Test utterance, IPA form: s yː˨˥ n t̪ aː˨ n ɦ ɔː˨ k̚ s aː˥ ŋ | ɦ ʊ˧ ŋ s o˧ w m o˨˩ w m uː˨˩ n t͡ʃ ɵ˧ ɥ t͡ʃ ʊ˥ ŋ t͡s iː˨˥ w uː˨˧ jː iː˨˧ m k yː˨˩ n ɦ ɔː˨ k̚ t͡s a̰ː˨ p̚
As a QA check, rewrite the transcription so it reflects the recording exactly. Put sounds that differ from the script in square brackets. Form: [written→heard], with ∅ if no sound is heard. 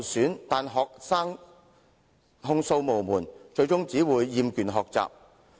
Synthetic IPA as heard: s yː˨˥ n t̪ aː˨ n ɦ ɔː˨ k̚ s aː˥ ŋ | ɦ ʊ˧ ŋ s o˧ w m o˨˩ w m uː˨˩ n t͡ʃ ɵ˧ ɥ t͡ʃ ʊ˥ ŋ t͡s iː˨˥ w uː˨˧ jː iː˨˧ m k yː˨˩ n ɦ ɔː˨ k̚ t͡s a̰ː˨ p̚